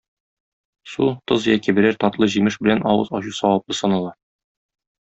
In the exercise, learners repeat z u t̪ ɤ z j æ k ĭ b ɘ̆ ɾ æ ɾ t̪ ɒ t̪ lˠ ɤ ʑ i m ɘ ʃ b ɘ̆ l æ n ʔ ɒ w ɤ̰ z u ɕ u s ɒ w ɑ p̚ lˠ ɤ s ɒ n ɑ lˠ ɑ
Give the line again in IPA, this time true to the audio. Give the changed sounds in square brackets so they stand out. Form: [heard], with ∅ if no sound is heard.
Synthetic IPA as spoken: [s] u t̪ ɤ z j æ k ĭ b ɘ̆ ɾ æ ɾ t̪ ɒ t̪ lˠ ɤ ʑ i m ɘ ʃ b ɘ̆ l æ n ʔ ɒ w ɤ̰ z [ɒ] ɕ u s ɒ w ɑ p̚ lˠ ɤ s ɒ n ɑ lˠ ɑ